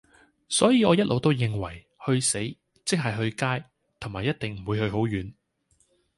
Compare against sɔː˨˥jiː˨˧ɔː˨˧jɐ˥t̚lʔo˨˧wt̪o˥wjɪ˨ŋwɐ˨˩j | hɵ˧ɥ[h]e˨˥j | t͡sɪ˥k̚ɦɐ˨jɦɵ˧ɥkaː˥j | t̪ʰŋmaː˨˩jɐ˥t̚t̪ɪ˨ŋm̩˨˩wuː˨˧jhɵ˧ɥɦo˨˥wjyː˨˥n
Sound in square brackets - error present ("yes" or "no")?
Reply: yes